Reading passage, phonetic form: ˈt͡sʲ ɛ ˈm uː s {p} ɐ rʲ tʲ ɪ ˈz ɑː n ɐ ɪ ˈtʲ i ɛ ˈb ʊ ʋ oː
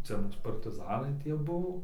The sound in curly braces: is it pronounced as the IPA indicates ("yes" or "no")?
yes